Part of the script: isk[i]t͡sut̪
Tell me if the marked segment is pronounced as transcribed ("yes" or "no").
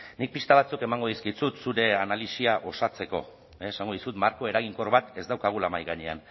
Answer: yes